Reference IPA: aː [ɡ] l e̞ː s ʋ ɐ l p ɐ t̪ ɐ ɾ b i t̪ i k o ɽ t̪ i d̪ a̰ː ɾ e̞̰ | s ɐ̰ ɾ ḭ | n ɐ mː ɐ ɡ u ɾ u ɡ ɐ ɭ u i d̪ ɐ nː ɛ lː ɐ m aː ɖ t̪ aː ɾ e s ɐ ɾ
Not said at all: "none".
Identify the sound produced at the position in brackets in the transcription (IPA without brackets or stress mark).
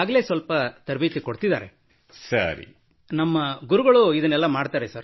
ɡ